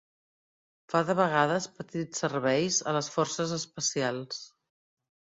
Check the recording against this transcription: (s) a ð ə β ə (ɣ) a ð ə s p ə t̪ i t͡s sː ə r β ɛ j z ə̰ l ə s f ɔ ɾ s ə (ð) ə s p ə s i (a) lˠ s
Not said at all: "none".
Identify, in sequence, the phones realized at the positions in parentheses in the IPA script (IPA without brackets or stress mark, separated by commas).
f, ɣ, z, a